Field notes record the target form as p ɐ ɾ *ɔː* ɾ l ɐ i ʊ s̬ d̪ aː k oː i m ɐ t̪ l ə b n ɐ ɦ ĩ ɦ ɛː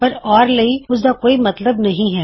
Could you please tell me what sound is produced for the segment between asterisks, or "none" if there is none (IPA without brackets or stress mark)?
ɔː